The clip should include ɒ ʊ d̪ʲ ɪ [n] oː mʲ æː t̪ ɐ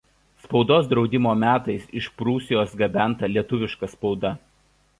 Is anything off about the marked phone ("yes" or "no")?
yes